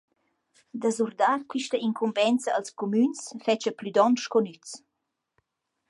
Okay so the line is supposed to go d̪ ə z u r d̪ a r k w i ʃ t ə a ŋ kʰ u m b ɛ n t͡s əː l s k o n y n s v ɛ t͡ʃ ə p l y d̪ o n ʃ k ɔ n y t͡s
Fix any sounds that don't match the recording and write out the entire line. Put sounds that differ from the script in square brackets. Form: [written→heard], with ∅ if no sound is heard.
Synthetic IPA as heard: d̪ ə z u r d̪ a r k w i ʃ t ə [a→i] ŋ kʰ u m b ɛ n t͡s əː l s k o [n→m] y n s [v→f] ɛ t͡ʃ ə p l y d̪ [o→ɔ] n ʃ k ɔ n y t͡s